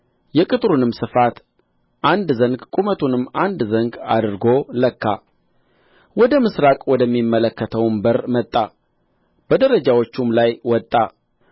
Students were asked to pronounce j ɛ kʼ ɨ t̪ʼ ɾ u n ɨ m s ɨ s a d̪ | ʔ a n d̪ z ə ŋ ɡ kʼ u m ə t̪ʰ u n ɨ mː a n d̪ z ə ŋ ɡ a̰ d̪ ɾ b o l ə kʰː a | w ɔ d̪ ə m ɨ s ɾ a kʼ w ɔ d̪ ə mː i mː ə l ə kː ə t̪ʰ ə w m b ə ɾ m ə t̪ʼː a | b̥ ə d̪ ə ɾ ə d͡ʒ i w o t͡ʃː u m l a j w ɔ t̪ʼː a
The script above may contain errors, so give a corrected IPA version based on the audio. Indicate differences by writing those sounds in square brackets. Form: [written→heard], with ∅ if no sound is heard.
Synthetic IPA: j ɛ kʼ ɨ t̪ʼ ɾ u n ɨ m s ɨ [s→f] a [d̪→t̪] | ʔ a n d̪ z ə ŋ ɡ kʼ u m ə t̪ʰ u n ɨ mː a n d̪ z ə ŋ ɡ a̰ d̪ ɾ [b→ɡ] o l ə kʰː a | w ɔ d̪ ə m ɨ s ɾ a kʼ w ɔ d̪ ə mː i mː ə l ə kː ə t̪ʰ ə w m b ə ɾ m ə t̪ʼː a | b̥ ə d̪ ə ɾ ə d͡ʒ [i→a] w o t͡ʃː u m l a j w ɔ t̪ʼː a